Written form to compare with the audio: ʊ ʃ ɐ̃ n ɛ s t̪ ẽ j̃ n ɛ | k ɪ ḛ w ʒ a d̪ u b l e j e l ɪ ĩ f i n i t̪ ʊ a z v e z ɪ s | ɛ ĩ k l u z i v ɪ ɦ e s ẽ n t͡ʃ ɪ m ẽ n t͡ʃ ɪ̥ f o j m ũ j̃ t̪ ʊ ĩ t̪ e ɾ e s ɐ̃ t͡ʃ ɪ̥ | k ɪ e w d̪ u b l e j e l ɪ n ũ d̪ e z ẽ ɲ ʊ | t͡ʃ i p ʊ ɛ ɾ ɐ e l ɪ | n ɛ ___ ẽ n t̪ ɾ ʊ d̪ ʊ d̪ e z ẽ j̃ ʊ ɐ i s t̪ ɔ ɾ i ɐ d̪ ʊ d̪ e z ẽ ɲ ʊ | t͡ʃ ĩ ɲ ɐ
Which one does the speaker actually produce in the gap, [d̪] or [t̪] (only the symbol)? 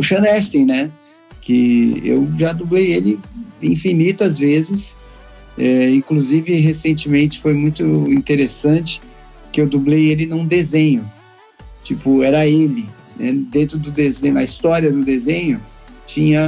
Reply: d̪